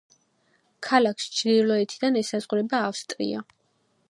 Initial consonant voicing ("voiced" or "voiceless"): voiceless